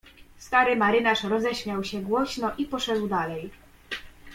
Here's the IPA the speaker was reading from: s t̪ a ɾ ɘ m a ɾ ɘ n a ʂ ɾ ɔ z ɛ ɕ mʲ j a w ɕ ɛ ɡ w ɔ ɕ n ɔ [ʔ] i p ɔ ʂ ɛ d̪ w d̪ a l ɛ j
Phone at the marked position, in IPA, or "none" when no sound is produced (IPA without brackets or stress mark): ʔ